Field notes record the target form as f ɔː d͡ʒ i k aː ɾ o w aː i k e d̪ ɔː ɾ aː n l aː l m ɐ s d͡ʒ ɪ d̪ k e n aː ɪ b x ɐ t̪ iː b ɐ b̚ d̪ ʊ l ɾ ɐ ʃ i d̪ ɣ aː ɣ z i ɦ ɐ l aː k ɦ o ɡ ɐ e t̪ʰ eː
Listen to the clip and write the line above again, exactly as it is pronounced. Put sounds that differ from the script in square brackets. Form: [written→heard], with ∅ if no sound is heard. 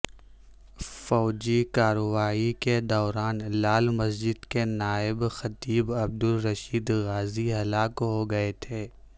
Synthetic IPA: f ɔː d͡ʒ i k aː ɾ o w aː i k e d̪ ɔː ɾ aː n l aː l m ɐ s d͡ʒ ɪ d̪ k e n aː ɪ b x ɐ t̪ iː b ɐ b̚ d̪ ʊ l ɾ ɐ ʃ [i→iː] d̪ ɣ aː [ɣ→∅] z i ɦ ɐ l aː k ɦ o ɡ ɐ e t̪ʰ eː